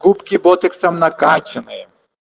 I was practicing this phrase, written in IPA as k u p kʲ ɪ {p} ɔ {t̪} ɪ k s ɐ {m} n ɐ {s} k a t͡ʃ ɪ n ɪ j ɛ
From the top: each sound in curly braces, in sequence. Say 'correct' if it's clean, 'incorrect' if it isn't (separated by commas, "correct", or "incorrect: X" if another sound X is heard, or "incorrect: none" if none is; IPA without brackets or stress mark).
incorrect: b, correct, correct, incorrect: none